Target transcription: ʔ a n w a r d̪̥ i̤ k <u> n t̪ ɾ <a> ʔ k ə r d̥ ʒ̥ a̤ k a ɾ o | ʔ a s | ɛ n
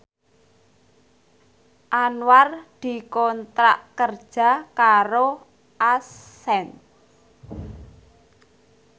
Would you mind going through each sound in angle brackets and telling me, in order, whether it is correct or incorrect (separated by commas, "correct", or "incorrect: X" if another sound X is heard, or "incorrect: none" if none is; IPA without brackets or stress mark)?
incorrect: ɔ, correct